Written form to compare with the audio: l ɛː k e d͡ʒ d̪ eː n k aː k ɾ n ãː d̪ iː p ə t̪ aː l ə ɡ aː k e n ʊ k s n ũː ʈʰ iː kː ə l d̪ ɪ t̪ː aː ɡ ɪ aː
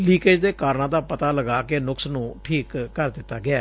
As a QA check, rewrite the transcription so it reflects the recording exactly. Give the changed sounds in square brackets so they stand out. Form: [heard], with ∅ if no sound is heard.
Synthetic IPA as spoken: l [iː] k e d͡ʒ d̪ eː [∅] k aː [∅] ɾ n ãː d̪ [aː] p ə t̪ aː l ə ɡ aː k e n ʊ k s n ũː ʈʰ iː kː ə [ɾ] d̪ ɪ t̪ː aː ɡ ɪ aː